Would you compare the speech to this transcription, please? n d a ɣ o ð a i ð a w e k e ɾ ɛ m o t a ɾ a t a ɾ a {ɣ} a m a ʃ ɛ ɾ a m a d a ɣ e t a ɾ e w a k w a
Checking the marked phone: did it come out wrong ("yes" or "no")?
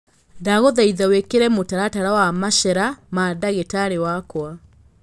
yes